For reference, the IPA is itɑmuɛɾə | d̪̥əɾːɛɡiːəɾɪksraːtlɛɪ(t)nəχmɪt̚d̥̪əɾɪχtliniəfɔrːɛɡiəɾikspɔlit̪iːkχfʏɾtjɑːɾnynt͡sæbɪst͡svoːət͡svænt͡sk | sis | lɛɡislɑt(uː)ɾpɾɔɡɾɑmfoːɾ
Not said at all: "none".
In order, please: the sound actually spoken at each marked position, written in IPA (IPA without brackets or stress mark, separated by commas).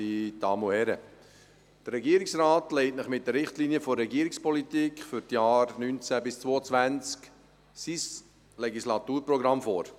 t, uː